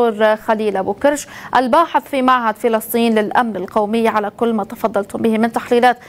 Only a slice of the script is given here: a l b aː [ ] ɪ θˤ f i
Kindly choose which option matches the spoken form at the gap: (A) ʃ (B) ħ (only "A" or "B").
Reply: B